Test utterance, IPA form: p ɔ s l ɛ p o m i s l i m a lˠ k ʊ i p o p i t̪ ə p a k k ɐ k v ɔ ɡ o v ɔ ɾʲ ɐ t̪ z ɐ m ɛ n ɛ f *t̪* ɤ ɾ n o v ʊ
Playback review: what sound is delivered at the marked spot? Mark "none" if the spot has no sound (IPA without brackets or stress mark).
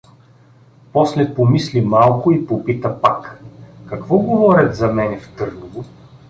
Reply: t̪